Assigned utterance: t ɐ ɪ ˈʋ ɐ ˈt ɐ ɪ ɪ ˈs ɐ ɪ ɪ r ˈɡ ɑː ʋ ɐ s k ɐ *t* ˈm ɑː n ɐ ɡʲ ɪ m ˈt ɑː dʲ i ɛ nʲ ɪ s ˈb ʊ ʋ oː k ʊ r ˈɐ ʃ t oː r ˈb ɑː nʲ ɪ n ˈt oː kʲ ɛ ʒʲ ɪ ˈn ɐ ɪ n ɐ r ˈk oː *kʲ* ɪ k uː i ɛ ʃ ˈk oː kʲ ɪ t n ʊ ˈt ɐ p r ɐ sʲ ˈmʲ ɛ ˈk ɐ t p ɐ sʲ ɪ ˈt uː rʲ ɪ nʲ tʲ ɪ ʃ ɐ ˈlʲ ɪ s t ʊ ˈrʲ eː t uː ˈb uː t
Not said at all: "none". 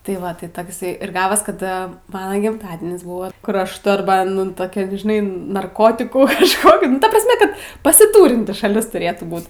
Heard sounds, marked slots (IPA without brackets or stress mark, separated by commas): t, tʲ